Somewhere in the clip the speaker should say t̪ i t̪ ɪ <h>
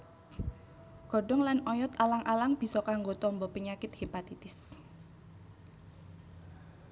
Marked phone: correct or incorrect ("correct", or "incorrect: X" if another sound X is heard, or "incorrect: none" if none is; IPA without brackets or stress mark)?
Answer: incorrect: s